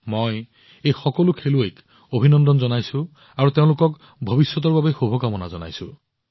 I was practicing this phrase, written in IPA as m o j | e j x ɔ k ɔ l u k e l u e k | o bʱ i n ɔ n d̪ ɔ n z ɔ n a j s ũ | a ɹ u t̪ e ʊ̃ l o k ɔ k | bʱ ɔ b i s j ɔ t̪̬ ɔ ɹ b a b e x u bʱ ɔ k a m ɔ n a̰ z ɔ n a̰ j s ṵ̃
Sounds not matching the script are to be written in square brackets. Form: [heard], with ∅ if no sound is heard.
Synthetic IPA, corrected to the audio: m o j | e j x ɔ k ɔ l u [kʰ] e l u e k | o bʱ i n ɔ n d̪ ɔ n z ɔ n a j s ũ | a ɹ u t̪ e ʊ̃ l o k ɔ k | bʱ ɔ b i s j ɔ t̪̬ ɔ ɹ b a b e x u bʱ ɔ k a m ɔ n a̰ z ɔ n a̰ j s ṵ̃